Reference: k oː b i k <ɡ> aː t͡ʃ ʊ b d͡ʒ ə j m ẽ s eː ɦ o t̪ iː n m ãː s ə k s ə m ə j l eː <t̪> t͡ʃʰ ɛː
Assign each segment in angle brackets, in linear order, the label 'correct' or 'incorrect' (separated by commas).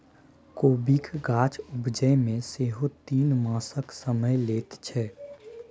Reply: correct, correct